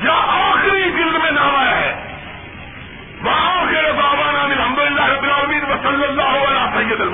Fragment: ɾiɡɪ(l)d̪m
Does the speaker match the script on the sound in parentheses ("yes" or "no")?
yes